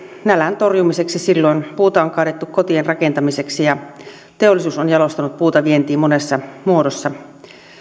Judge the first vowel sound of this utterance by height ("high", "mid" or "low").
low